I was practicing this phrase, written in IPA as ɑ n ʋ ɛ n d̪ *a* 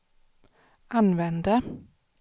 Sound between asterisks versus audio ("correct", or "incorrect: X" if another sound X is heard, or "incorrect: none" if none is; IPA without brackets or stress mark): incorrect: ə